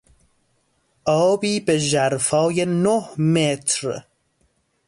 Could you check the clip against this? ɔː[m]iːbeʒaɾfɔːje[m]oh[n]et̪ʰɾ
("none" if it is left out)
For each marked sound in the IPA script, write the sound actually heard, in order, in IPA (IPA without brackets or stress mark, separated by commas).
b, n, m